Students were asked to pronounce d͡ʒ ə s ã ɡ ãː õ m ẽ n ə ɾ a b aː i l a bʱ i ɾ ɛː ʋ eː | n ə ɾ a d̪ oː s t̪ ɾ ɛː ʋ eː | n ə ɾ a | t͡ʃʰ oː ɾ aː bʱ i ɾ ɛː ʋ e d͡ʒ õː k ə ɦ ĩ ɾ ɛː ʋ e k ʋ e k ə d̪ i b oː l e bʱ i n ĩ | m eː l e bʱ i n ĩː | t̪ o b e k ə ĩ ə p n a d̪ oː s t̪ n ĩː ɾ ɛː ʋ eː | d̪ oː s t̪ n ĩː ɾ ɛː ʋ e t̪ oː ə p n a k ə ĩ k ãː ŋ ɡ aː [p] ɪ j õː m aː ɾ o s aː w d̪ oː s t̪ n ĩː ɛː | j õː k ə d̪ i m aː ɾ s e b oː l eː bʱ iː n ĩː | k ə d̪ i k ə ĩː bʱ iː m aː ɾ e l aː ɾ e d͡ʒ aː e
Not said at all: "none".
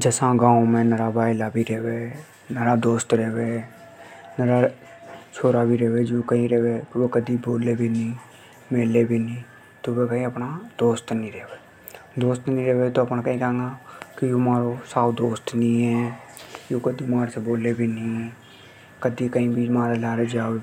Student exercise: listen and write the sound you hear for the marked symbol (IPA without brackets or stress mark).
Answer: k